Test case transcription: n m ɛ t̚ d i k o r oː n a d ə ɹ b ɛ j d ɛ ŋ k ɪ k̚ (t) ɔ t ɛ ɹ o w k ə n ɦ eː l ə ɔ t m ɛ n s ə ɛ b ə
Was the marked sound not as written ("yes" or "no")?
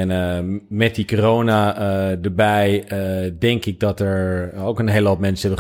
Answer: yes